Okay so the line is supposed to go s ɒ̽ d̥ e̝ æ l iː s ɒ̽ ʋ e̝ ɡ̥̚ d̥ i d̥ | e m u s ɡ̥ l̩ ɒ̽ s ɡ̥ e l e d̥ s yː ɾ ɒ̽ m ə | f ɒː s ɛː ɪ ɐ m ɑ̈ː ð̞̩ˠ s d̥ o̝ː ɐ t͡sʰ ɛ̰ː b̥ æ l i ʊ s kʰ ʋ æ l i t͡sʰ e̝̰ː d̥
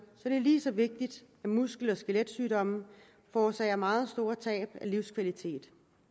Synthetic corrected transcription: s ɒ̽ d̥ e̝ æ l iː s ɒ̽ ʋ e̝ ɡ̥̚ d̥ i d̥ | æ m u s ɡ̥ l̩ ɒ̽ s ɡ̥ e l e d̥ s yː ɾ ɒ̽ m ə | f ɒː s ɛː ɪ ɐ m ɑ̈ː ð̞̩ˠ s d̥ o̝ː ɐ t͡sʰ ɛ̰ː b̥ æ l i ʊ s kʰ ʋ æ l i t͡sʰ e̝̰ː d̥